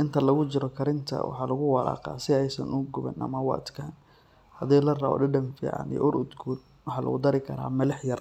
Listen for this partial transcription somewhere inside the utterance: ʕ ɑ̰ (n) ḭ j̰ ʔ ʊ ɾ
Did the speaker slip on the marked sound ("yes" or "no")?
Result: no